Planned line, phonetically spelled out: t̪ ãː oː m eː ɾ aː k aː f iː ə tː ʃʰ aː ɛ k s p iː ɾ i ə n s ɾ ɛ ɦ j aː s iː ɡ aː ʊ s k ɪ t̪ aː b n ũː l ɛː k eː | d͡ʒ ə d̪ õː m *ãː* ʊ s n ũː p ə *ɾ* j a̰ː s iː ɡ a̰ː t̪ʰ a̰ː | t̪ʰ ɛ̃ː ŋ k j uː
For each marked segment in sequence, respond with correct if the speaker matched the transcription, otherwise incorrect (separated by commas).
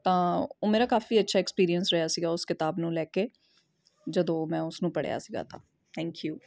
incorrect, incorrect